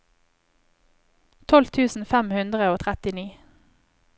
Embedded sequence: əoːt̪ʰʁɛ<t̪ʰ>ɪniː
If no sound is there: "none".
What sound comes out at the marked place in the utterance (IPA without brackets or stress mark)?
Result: t̪